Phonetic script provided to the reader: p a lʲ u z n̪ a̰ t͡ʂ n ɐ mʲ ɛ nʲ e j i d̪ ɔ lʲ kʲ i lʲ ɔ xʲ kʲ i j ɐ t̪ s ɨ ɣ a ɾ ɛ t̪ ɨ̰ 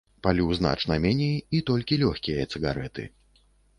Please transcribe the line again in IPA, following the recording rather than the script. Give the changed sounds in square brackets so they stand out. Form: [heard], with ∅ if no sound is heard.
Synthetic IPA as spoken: p a lʲ u z n̪ a̰ t͡ʂ n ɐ mʲ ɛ nʲ e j i [t̪] ɔ lʲ kʲ i lʲ ɔ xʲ kʲ i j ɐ t̪ s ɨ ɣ a ɾ ɛ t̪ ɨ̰